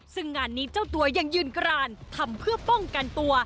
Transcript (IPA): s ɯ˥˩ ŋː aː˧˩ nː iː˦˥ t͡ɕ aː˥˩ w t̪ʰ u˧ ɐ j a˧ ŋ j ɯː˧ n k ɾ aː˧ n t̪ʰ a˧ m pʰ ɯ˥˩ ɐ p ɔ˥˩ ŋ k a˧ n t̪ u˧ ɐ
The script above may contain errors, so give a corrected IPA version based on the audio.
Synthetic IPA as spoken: s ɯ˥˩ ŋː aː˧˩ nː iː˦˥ t͡ɕ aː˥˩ w t̪ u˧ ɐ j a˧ ŋ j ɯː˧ n k ɾ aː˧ n t̪ʰ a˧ m pʰ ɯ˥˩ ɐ p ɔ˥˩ ŋ k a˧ n t̪ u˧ ɐ